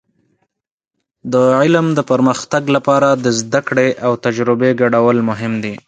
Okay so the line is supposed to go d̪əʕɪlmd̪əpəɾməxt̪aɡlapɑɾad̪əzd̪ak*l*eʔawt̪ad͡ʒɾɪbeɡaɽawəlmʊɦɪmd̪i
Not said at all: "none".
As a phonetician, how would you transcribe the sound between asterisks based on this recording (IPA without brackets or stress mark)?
ɽ